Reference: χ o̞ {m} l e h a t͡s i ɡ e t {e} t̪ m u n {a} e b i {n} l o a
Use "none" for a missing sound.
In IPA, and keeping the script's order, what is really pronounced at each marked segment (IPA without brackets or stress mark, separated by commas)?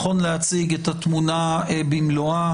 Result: n, a, a, m